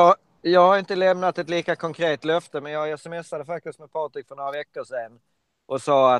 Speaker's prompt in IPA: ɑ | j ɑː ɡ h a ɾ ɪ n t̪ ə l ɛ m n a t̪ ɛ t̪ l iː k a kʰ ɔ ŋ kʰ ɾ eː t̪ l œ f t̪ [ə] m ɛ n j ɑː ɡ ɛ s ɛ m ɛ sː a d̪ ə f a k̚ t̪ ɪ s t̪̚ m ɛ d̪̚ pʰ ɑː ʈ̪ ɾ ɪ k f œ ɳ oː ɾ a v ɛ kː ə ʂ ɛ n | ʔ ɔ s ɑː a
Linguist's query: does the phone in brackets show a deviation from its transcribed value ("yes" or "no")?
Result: no